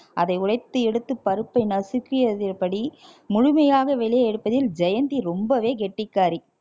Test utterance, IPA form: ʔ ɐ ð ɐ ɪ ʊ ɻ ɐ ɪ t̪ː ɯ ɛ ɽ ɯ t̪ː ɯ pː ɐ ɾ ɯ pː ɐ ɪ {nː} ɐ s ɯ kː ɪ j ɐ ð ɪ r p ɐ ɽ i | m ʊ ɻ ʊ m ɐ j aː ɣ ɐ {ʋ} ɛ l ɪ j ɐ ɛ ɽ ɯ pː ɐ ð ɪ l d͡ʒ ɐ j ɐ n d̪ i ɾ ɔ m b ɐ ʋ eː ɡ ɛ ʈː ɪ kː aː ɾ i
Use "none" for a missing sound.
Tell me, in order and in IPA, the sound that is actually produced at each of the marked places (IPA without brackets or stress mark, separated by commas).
n, ʋ